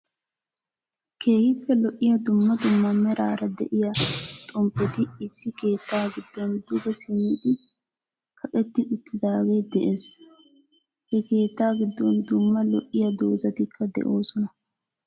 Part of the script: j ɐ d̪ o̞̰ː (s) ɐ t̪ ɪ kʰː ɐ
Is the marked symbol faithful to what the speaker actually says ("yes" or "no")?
no